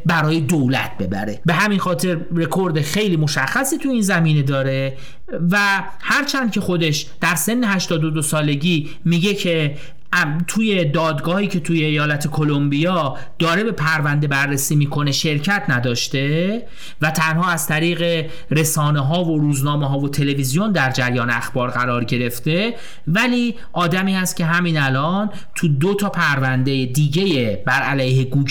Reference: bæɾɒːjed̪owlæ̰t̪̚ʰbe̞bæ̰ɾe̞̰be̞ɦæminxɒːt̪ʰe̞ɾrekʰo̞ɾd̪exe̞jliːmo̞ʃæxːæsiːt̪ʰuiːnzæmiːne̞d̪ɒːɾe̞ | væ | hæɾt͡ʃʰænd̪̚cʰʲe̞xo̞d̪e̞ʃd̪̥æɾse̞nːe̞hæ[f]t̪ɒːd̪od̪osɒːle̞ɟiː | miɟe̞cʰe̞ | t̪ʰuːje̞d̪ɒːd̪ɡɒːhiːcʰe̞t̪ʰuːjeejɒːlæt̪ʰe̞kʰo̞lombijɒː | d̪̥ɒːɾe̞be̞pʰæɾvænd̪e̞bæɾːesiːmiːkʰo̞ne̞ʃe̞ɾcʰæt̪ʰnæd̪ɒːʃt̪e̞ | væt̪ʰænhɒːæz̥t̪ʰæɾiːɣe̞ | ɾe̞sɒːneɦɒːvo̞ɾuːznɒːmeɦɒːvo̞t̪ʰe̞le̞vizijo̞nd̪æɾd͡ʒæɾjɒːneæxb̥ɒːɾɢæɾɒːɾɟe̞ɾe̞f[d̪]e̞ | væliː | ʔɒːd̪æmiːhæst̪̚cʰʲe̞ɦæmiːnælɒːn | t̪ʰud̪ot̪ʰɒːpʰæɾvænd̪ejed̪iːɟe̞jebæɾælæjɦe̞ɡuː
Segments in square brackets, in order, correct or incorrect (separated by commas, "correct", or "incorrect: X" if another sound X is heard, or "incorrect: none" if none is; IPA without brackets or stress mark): incorrect: ʃ, incorrect: t̪